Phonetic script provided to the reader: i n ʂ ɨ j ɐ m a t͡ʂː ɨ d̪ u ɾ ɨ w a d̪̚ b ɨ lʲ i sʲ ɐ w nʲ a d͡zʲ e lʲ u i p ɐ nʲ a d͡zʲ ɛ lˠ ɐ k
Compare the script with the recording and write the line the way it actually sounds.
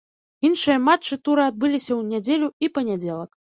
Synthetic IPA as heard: i n ʂ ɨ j ɐ m a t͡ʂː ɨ t̪ u ɾ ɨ a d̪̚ b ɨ lʲ i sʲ ɐ w nʲ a d͡zʲ e lʲ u i p ɐ nʲ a d͡zʲ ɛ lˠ ɐ k

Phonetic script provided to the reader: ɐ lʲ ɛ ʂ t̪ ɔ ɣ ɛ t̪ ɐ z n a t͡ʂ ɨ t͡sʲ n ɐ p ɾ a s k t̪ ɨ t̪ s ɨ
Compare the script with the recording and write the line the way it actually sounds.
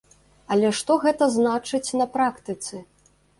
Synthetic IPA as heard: ɐ lʲ ɛ ʂ t̪ ɔ ɣ ɛ t̪ ɐ z n a t͡ʂ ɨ t͡sʲ n ɐ p ɾ a k t̪ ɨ t̪ s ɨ

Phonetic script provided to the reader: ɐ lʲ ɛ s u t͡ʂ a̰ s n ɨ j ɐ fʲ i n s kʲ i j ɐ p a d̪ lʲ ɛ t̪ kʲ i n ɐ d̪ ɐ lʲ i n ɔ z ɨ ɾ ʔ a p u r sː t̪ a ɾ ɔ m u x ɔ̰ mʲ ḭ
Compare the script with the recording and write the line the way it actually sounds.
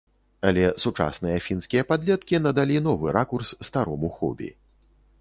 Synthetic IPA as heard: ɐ lʲ ɛ s u t͡ʂ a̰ s n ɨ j ɐ fʲ i n s kʲ i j ɐ p a d̪ lʲ ɛ t̪ kʲ i n ɐ d̪ a lʲ i n ɔ v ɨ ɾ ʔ a k u r sː t̪ a ɾ ɔ m u x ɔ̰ bʲ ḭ

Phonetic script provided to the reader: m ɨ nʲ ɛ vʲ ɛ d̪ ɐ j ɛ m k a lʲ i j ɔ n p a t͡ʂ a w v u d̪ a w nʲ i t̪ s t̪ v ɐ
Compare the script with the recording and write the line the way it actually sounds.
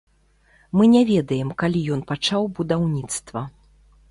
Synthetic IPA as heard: m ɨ nʲ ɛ vʲ ɛ d̪ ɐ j ɛ m k a lʲ i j ɔ n p a t͡ʂ a w b u d̪ a w nʲ i t̪ s t̪ v ɐ

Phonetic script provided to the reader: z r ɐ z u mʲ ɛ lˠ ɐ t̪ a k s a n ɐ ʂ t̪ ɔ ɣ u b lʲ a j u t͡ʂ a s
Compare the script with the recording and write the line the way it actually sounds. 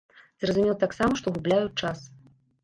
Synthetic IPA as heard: z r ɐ z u mʲ ɛ lˠ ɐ t̪ a k s a m ɐ ʂ t̪ ɔ ɣ u b lʲ a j u t͡ʂ a s

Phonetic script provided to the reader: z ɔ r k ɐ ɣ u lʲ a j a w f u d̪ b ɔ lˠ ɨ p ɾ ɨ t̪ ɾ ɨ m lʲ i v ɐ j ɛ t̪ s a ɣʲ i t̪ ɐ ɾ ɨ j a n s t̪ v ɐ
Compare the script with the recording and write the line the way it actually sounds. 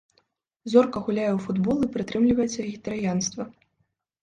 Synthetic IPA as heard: z ɔ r k ɐ ɣ u lʲ a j ɛ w f u d̪ b ɔ lˠ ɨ p ɾ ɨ t̪ ɾ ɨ m lʲ i v ɐ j ɛ t̪ s ɐ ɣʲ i t̪ ɐ ɾ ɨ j a n s t̪ v ɐ

